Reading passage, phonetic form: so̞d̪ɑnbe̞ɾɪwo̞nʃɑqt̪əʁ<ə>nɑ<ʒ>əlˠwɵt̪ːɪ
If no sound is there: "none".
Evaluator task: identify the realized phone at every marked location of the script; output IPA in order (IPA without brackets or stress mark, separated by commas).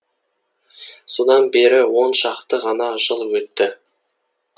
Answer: ɑ, ʒ